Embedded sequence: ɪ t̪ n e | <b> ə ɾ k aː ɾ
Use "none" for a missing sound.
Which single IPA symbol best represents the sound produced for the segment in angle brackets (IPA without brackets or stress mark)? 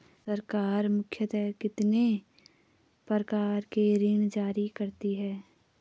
p